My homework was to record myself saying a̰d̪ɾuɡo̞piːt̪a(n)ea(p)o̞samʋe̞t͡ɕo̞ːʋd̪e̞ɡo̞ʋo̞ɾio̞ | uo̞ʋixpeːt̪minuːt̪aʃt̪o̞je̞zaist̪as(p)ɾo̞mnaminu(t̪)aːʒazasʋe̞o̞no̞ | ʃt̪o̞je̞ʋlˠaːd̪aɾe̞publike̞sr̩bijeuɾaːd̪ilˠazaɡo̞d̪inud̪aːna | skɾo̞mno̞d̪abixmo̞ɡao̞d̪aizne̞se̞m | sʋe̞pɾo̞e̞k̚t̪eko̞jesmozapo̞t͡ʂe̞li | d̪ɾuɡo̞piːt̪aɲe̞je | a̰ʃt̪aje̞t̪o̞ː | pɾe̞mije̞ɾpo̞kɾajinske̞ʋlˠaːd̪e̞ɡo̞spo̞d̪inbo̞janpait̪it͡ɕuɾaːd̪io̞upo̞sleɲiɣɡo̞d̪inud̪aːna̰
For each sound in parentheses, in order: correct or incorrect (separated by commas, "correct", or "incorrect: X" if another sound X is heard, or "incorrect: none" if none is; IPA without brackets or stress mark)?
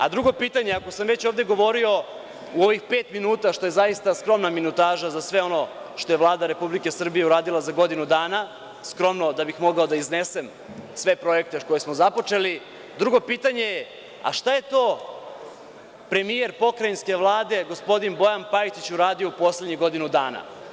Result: incorrect: ɲ, incorrect: k, incorrect: k, correct